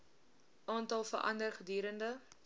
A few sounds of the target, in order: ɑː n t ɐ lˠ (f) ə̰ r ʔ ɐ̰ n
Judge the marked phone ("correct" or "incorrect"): correct